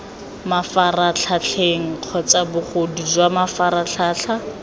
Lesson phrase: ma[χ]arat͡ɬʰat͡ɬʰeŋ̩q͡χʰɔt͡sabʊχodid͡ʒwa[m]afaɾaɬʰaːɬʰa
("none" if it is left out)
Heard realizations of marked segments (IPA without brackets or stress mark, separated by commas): f, m